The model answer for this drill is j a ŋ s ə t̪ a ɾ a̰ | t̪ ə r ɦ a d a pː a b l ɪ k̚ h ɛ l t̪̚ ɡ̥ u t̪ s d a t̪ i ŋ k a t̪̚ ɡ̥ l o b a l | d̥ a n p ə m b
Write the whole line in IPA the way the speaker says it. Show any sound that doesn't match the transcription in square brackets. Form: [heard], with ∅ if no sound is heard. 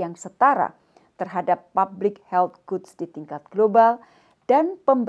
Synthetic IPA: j a ŋ s ə t̪ a ɾ a̰ | t̪ ə r ɦ a d a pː a b l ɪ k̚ h ɛ l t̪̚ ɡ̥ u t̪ s d [i] t̪ i ŋ k a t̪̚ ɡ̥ l o b a l | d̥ a n p ə m b